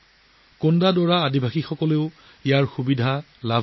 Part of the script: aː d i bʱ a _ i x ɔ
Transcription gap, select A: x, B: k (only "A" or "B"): A